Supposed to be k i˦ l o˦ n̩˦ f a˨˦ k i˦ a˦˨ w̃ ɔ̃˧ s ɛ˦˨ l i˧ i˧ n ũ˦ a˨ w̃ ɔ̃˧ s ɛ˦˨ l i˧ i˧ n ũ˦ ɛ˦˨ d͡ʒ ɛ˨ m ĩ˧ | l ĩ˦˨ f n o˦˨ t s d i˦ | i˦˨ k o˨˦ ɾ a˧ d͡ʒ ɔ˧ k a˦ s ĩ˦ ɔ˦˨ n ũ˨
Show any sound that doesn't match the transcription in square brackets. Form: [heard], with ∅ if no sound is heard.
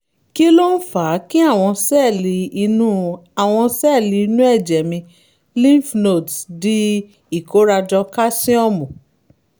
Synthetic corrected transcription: k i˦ l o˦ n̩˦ f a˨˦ k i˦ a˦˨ w̃ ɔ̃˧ s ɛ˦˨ l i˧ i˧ n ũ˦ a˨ w̃ ɔ̃˧ s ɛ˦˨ l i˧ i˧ n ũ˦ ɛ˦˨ d͡ʒ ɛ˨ m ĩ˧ | l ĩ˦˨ f n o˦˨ t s d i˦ | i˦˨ k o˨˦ ɾ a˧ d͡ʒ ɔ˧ k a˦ s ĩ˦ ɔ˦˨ [m] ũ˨